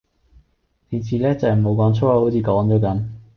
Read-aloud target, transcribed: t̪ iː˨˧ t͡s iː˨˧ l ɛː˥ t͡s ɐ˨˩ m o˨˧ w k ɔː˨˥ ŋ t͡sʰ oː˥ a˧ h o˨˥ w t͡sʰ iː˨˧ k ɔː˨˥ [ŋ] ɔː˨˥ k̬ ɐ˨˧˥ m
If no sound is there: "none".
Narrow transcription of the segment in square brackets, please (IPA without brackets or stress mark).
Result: ŋ